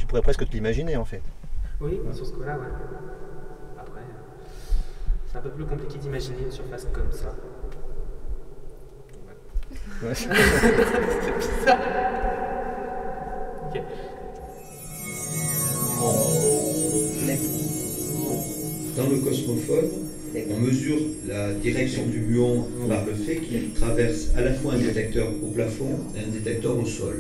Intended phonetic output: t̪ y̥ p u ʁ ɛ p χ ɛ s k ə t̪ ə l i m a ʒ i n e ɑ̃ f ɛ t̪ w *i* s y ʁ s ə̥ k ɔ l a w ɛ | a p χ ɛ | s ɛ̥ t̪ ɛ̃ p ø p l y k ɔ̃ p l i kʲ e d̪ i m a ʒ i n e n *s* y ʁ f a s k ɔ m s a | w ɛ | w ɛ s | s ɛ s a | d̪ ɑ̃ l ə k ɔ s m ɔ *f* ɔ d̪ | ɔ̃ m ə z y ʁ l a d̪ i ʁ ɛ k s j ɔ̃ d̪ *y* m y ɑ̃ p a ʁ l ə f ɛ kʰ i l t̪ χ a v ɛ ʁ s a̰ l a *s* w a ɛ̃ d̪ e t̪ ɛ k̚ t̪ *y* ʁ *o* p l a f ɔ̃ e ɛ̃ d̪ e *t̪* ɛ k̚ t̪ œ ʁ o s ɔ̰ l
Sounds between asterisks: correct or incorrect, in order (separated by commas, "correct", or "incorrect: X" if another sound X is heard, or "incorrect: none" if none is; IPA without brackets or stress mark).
correct, correct, correct, correct, incorrect: f, incorrect: œ, correct, correct